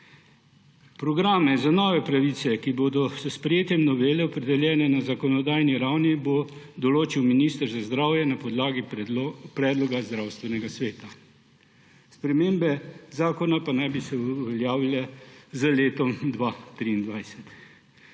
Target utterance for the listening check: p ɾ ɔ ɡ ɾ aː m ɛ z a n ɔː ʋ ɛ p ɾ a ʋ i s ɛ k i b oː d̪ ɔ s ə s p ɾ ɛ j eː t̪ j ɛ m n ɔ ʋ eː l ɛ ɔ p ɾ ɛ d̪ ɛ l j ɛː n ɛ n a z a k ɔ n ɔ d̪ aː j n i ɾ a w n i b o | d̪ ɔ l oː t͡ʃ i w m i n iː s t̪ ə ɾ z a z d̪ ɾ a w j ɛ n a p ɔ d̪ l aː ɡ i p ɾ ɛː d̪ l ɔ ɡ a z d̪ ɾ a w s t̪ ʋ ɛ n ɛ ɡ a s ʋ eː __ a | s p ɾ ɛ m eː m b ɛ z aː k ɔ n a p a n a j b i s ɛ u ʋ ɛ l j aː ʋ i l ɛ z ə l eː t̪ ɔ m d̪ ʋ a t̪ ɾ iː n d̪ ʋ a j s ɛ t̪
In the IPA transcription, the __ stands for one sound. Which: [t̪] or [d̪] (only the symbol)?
t̪